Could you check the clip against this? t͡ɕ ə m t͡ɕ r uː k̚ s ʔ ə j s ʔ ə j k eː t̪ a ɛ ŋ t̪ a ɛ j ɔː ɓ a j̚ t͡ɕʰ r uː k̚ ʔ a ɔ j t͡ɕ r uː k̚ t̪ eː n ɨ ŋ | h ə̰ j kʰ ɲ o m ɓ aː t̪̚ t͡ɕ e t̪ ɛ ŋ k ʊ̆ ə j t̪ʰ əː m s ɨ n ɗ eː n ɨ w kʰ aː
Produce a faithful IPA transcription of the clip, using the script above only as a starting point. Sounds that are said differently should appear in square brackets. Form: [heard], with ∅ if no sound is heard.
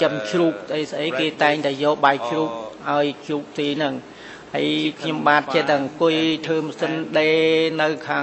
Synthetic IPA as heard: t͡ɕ ə m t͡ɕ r uː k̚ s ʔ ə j s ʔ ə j k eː t̪ a ɛ ŋ t̪ a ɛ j ɔː ɓ a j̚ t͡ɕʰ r uː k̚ ʔ a ɔ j t͡ɕ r uː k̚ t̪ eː n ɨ ŋ | h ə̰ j kʰ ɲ o m ɓ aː t̪̚ t͡ɕ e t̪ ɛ ŋ k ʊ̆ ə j t̪ʰ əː m s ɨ n ɗ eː n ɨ w kʰ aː